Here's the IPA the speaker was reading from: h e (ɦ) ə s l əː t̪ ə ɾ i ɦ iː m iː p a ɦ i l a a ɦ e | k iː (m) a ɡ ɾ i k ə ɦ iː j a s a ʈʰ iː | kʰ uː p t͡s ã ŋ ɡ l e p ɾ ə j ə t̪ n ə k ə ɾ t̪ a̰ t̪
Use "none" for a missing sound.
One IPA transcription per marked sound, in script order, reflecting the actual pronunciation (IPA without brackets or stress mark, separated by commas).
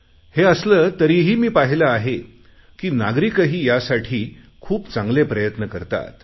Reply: none, n